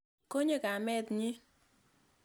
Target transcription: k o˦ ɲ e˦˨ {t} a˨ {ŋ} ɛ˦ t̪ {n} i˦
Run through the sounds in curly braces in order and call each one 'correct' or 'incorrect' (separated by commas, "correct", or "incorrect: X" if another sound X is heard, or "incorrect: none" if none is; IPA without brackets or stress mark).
incorrect: k, incorrect: m, incorrect: ɲ